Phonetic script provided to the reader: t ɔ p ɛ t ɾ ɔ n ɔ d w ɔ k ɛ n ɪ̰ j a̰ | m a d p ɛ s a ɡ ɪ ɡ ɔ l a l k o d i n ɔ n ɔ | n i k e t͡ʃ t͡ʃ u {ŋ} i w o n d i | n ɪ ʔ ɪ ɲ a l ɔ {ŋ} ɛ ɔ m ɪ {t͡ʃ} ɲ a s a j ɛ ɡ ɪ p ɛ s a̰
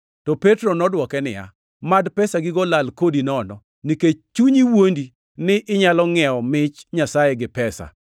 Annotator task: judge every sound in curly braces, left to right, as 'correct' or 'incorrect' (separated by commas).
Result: incorrect, correct, correct